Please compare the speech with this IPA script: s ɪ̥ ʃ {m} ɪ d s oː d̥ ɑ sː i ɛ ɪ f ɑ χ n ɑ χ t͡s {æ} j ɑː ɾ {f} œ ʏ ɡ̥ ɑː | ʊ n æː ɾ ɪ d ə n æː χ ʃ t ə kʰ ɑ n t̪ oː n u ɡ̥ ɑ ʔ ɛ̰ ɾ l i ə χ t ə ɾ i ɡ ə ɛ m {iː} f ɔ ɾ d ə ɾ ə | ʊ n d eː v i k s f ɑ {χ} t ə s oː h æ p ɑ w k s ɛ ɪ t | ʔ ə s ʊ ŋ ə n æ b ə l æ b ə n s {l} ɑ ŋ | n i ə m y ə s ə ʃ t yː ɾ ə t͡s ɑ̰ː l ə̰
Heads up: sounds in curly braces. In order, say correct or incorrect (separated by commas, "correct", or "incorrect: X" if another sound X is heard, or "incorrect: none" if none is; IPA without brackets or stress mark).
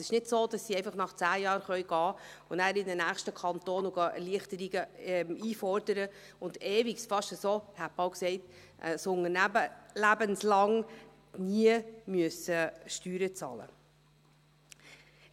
incorrect: n, incorrect: æː, incorrect: χ, correct, incorrect: ʃ, correct